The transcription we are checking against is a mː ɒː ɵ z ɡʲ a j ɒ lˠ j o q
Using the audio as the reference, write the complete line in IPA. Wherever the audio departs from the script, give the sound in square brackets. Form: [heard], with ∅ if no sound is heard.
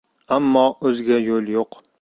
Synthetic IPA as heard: a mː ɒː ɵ z ɡʲ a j [o] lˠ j o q